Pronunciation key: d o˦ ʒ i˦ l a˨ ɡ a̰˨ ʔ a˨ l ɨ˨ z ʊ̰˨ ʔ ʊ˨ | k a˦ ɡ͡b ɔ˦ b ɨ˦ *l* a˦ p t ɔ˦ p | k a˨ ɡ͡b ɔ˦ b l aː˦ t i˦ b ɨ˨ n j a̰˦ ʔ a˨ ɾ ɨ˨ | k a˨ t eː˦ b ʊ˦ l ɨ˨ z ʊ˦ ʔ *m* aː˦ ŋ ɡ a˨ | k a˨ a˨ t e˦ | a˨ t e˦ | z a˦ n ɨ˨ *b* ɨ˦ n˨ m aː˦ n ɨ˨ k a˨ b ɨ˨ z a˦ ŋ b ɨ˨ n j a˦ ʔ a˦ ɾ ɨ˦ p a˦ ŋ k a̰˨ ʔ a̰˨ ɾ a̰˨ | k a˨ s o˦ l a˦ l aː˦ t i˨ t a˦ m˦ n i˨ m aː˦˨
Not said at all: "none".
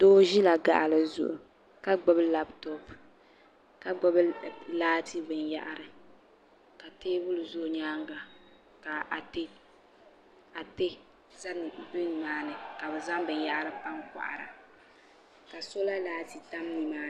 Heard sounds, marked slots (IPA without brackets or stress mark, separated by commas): l, ɲ, b